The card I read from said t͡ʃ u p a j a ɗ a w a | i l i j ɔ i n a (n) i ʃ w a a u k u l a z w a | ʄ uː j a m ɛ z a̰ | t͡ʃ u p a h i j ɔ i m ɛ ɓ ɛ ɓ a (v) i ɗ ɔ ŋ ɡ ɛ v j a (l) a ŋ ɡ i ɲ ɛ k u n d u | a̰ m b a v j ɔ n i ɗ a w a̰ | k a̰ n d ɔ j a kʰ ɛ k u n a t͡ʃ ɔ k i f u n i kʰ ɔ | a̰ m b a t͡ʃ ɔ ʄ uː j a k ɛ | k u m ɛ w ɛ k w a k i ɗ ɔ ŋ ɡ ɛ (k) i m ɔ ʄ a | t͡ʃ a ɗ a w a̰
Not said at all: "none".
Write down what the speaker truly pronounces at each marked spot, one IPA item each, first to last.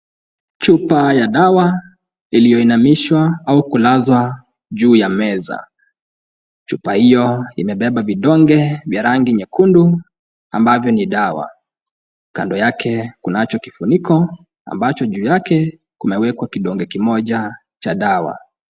m, v, ɾ, k

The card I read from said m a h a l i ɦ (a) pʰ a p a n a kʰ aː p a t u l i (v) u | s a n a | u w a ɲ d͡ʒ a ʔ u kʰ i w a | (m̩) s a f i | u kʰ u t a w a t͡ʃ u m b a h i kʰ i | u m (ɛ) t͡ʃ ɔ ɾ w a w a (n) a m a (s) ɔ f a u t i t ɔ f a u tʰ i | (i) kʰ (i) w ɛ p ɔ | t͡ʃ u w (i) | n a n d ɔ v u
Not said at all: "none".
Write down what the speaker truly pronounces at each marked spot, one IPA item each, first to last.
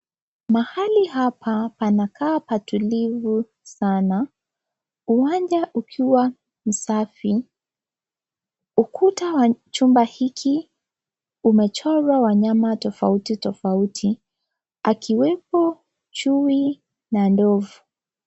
a, v, m̩, ɛ, ɲ, t, a, i, i

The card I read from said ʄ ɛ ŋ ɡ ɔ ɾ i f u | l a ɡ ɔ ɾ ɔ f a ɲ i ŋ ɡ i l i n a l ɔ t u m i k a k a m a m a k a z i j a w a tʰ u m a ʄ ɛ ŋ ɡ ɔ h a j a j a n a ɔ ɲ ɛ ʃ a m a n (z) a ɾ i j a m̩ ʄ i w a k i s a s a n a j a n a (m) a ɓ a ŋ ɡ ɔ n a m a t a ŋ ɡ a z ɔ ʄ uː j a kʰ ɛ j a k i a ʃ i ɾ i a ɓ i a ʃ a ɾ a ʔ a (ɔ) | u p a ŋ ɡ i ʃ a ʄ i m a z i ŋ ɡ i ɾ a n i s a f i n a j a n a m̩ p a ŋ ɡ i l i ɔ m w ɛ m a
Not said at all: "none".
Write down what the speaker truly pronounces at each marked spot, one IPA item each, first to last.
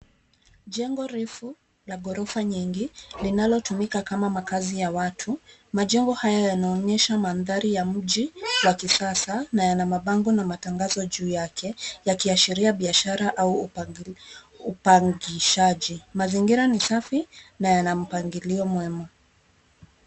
ð, m, u

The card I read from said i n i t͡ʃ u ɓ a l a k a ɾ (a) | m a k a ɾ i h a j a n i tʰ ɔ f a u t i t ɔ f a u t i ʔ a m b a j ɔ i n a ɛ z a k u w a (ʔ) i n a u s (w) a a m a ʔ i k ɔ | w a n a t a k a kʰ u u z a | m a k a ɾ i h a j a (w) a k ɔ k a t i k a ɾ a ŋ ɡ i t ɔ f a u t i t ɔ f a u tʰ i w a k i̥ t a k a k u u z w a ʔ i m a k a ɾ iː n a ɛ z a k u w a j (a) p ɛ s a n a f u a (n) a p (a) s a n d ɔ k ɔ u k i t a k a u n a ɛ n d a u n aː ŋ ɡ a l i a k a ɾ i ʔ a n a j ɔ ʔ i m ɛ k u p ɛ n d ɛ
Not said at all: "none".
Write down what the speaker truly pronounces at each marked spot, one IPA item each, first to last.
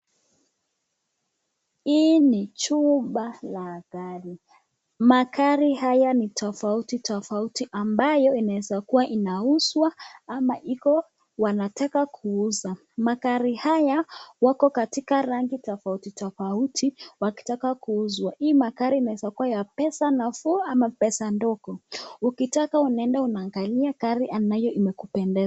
i, ʔ, w, w, a, m, ɛ

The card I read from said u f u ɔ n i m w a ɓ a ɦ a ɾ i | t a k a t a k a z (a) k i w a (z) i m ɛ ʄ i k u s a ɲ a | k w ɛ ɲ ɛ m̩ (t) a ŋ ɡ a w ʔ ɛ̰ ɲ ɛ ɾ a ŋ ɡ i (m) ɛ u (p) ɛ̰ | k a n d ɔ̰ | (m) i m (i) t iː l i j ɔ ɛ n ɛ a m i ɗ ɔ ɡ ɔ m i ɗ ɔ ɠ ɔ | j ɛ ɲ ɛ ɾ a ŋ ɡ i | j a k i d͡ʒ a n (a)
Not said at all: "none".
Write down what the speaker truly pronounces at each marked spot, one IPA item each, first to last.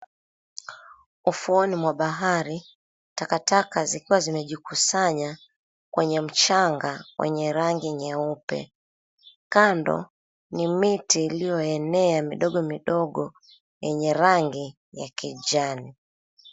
i, z, t͡ʃ, ɲ, p, n, i, i

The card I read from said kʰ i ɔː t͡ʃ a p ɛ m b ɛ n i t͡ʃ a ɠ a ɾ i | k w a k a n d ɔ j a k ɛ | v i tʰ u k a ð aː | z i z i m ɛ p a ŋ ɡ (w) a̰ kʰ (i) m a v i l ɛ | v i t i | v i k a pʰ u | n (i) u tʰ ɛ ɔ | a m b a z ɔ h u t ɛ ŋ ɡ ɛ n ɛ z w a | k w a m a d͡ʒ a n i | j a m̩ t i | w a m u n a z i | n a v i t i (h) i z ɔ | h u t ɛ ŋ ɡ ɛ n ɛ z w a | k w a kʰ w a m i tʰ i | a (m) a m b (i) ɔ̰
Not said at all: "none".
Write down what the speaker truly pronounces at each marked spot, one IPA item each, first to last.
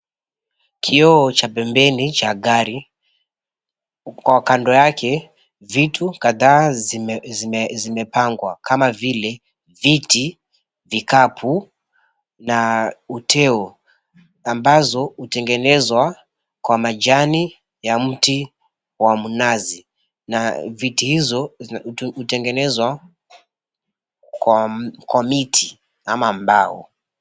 w, a, a, h, m, a

